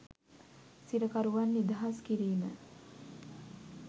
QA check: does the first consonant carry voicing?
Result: no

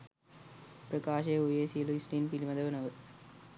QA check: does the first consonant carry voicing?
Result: no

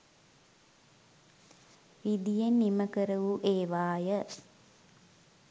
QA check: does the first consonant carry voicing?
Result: yes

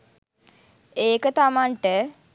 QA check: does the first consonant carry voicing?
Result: no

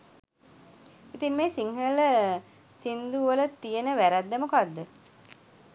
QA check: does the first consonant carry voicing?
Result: no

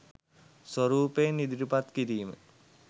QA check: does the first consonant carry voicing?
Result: no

